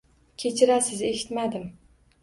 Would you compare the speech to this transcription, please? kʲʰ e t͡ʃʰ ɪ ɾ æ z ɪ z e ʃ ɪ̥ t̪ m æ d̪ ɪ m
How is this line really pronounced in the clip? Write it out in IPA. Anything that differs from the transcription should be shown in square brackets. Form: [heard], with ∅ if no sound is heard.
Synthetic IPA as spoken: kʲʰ e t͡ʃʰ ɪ ɾ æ [s] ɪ z e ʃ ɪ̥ t̪ m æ d̪ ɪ m